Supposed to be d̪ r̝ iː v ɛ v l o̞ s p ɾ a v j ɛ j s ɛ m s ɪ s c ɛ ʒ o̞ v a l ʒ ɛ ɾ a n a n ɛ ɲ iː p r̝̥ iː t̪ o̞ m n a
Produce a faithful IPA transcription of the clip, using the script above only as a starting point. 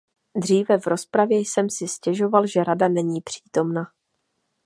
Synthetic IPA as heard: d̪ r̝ iː v ɛ v ɾ o̞ s p ɾ a v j ɛ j s ɛ m s ɪ s c ɛ ʒ o̞ v a l ʒ ɛ ɾ a d a n ɛ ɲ iː p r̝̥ iː t̪ o̞ m n a